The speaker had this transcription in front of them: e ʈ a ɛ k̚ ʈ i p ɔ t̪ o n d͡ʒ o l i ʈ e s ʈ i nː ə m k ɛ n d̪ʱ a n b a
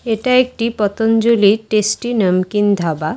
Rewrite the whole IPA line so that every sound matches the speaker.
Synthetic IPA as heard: e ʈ a e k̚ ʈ i p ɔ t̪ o n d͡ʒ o l i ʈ e s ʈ i n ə m k i n d̪ʱ a b a